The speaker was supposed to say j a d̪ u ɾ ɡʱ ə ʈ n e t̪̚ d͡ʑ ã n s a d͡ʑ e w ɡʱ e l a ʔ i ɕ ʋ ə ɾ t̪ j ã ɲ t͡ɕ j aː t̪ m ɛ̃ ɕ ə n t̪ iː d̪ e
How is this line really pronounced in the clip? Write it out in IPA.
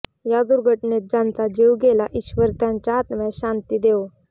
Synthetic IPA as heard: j a d̪ u ɾ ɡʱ ə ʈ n e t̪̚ d͡ʑ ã n t͡s a d͡ʑ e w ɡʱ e l a ʔ i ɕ ʋ ə ɾ t̪ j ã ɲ t͡ɕ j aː t̪ m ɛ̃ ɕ a n t̪ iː d̪ e